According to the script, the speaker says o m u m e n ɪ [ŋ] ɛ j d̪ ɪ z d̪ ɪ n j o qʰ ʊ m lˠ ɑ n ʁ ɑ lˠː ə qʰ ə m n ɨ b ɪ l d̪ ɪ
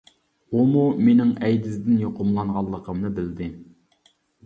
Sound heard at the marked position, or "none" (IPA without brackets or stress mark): ŋ